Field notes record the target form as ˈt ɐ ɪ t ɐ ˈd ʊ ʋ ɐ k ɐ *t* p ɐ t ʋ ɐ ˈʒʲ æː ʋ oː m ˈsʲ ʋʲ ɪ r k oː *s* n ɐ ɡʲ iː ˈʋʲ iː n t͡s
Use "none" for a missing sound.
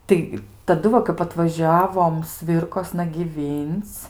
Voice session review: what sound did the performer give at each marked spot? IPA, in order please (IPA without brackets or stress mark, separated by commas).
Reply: none, s